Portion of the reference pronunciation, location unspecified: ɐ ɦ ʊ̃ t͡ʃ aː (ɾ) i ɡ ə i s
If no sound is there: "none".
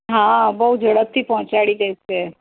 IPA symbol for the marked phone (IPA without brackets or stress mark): ɽ